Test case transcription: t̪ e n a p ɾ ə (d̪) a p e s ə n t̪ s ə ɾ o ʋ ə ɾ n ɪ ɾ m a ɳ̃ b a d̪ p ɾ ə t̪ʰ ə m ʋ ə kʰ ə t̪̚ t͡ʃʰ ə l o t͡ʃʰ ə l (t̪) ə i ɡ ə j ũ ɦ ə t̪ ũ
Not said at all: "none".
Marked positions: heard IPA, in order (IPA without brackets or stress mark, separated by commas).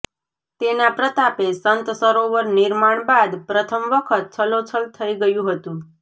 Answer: t̪, t̪ʰ